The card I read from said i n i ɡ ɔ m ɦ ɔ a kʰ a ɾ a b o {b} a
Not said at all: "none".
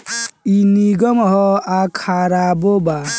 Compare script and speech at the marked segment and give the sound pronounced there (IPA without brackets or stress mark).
b